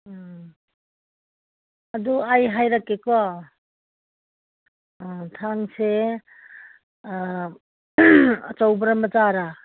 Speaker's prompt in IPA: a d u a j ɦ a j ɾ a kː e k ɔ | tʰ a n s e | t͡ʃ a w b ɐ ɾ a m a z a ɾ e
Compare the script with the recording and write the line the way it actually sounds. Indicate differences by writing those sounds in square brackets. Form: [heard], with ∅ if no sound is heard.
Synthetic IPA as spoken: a d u a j ɦ a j ɾ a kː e k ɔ | tʰ a [ŋ] s e | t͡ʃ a w b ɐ ɾ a m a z a ɾ [a]

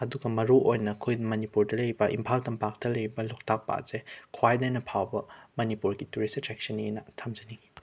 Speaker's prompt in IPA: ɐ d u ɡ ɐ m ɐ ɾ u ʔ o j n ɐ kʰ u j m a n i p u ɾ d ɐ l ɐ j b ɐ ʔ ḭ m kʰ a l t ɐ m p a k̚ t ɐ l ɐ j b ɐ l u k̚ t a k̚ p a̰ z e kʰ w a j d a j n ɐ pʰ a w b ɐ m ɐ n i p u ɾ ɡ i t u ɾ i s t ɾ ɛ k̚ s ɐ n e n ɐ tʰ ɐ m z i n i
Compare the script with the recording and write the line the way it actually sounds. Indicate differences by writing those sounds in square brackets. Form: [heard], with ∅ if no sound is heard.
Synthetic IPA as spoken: ɐ d u ɡ ɐ m ɐ ɾ u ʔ o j n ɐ kʰ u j m [ɐ] n i p u ɾ d ɐ l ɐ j b ɐ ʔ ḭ m [pʰ] a l t ɐ m p a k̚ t ɐ l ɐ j b ɐ l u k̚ t a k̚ p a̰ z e kʰ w a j d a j n ɐ pʰ a w b ɐ m ɐ n i p u ɾ ɡ i t u ɾ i s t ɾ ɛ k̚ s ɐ n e n ɐ tʰ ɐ m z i n i

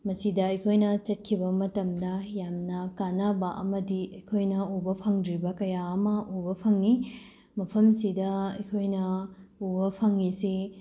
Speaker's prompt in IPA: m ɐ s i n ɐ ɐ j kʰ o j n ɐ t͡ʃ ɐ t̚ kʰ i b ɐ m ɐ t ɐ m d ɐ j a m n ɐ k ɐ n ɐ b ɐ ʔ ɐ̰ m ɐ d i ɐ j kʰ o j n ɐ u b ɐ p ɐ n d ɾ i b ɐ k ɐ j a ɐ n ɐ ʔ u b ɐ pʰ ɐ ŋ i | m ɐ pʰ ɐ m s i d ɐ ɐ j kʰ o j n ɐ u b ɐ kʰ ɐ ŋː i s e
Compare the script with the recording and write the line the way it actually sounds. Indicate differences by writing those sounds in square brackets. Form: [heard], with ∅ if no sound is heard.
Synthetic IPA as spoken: m ɐ s i [d] ɐ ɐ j kʰ o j n ɐ t͡ʃ ɐ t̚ kʰ i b ɐ m ɐ t ɐ m d ɐ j a m n ɐ k [a] n [a] b ɐ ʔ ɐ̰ m ɐ d i ɐ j kʰ o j n ɐ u b ɐ [pʰ] ɐ [ŋ] d ɾ i b ɐ k ɐ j a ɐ [m] ɐ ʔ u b ɐ pʰ ɐ ŋ i | m ɐ pʰ ɐ m s i d ɐ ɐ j kʰ o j n ɐ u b ɐ [pʰ] ɐ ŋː i s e

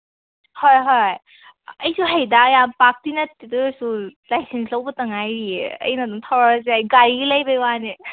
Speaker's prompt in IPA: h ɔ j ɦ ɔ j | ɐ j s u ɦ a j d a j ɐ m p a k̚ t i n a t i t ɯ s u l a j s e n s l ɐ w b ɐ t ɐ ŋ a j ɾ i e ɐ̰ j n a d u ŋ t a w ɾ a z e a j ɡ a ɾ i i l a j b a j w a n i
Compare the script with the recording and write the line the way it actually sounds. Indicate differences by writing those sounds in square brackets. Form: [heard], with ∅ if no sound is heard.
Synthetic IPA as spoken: h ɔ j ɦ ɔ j | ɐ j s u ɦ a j d a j [a] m p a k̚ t i n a t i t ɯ s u l a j s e n s l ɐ w b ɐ t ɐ ŋ a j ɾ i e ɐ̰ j n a d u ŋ [tʰ] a w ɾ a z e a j ɡ a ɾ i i l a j b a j w a n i

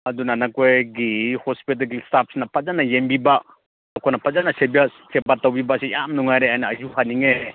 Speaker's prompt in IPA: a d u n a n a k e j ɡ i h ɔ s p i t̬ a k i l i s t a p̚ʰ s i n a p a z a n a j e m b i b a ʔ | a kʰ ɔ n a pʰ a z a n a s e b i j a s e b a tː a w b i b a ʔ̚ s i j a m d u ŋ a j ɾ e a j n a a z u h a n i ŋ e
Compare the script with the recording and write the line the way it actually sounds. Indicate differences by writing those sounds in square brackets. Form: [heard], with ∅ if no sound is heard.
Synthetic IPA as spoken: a d u n a n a k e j ɡ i h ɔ s p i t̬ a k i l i s t a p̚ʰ s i n a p a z a n a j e m b i b a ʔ | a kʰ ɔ n a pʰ a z a n a s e b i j a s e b a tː a w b i b a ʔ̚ s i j a m [n] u ŋ a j ɾ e a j n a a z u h a n i ŋ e

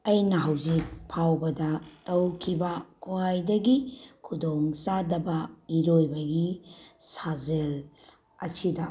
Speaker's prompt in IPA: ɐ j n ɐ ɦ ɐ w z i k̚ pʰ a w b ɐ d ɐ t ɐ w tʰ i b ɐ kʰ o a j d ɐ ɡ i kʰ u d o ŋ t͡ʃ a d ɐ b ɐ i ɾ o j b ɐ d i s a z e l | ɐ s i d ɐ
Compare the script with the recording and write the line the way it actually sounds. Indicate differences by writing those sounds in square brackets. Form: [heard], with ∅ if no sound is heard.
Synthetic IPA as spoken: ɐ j n ɐ ɦ ɐ w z i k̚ pʰ a w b ɐ d ɐ t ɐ w [kʰ] i b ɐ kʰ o a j d ɐ ɡ i kʰ u d o ŋ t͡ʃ a d ɐ b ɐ i ɾ o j b ɐ [ɡ] i s a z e l | ɐ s i d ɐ

